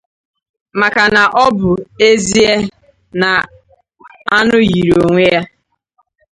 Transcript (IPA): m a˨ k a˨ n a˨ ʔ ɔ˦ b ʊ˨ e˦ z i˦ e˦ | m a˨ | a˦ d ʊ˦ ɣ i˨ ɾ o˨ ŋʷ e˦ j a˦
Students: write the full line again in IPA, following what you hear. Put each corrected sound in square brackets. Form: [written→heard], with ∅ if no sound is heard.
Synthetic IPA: m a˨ k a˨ n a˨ ʔ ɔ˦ b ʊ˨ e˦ z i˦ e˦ | [m→n] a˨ | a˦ [d→n] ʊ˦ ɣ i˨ ɾ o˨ ŋʷ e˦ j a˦